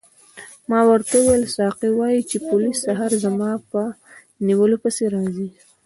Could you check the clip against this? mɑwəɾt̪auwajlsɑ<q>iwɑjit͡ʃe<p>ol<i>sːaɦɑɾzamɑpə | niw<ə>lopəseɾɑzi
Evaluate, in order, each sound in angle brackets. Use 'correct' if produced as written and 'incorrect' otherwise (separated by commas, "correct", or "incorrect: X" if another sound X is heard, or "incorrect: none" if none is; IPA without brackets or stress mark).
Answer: correct, correct, correct, correct